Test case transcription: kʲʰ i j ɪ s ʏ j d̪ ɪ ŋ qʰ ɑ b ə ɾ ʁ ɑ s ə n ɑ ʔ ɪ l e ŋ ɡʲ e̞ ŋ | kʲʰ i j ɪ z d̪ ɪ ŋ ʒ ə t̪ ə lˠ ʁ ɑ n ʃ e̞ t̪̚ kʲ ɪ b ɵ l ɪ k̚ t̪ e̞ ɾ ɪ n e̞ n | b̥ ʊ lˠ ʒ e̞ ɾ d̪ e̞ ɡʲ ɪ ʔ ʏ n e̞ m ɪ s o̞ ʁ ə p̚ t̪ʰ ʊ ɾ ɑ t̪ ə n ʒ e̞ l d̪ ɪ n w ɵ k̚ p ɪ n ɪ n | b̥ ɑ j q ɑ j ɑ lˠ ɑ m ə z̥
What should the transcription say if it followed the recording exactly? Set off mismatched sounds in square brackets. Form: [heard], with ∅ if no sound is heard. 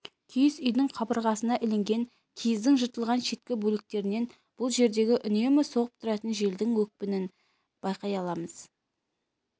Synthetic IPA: kʲʰ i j ɪ s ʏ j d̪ ɪ ŋ qʰ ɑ b ə ɾ ʁ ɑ s ə n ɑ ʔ ɪ l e ŋ ɡʲ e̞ ŋ | kʲʰ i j ɪ z d̪ ɪ ŋ ʒ ə t̪ ə lˠ ʁ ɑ n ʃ e̞ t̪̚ kʲ ɪ b ɵ l ɪ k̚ t̪ e̞ ɾ ɪ n e̞ n | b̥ ʊ lˠ ʒ e̞ ɾ d̪ e̞ ɡʲ ɪ ʔ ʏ n e̞ m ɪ s o̞ ʁ ə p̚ t̪ʰ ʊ ɾ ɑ t̪ ə n ʒ e̞ l d̪ ɪ [ŋ] w ɵ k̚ p ɪ n ɪ n | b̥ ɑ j q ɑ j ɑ lˠ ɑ m ə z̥